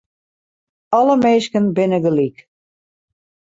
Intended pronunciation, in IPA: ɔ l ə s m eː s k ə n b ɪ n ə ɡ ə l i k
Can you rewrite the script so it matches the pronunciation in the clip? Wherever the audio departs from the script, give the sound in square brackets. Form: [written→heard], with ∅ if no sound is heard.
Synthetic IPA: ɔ l ə [s→∅] m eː s k ə n b ɪ n ə ɡ ə l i k